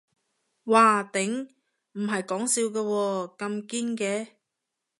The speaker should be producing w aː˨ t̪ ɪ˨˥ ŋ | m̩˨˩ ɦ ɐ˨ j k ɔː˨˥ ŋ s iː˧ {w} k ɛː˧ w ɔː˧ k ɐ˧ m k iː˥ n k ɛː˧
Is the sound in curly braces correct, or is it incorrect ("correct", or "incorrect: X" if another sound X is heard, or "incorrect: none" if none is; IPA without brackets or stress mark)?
correct